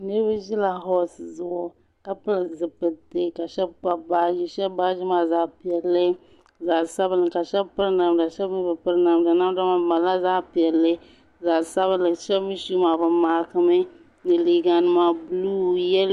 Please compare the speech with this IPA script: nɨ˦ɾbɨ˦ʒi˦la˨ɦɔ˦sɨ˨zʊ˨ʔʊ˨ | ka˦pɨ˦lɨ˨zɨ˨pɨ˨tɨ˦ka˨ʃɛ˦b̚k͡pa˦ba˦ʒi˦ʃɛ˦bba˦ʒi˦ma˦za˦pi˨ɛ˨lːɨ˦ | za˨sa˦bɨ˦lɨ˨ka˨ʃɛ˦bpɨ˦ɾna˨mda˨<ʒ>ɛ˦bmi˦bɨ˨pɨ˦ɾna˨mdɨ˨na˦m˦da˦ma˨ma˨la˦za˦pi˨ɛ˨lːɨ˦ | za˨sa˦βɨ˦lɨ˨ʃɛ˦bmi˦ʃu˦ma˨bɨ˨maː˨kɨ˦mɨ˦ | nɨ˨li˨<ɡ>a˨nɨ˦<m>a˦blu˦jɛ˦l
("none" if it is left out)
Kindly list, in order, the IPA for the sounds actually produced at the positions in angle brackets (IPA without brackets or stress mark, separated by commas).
ʃ, ɡ, m